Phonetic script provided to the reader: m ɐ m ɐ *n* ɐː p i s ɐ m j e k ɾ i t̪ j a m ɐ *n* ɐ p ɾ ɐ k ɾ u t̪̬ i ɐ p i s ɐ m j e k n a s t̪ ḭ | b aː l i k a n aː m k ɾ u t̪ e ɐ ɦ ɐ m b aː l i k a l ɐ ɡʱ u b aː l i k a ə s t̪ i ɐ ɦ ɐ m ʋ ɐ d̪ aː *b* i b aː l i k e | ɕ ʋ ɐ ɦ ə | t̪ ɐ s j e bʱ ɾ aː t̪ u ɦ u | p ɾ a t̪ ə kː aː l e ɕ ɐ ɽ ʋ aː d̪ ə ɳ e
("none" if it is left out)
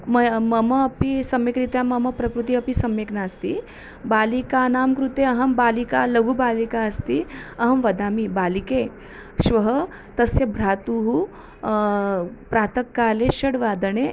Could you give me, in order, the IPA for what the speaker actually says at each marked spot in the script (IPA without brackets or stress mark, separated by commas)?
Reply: m, m, m